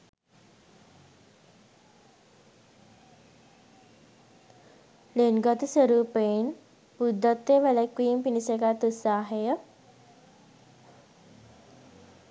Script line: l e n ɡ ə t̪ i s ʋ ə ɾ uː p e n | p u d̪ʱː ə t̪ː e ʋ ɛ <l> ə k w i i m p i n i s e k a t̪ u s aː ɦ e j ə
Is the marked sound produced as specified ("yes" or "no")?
yes